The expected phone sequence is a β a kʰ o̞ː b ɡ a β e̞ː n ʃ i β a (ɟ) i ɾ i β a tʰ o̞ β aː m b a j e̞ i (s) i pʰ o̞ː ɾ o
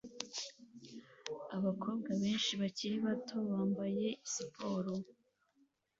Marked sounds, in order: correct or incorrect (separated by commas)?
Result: incorrect, correct